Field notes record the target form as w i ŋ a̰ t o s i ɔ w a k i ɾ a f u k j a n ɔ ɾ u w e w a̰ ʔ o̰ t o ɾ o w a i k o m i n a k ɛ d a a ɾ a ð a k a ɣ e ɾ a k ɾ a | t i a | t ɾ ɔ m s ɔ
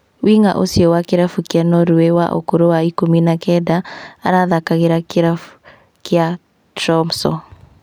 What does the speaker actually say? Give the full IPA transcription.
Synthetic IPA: w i ŋ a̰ ʔ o s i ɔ w a k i ɾ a f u k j a n ɔ ɾ u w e w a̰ ʔ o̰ k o ɾ o w a i k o m i n a k ɛ d a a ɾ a ð a k a ɣ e ɾ a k ɾ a | k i a | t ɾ ɔ m s ɔ